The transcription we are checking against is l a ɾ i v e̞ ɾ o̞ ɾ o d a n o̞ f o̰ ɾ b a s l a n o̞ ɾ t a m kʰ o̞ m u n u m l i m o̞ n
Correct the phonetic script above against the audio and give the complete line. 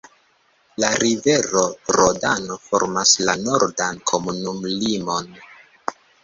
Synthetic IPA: l a ɾ i v e̞ ɾ o̞ ɾ o d a n o̞ f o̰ ɾ m a s l a n o̞ ɾ d a n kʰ o̞ m u n u m l i m o̞ n